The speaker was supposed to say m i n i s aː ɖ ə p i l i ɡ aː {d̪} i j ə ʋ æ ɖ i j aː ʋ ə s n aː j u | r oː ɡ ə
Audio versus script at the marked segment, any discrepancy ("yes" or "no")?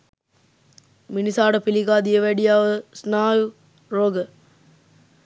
no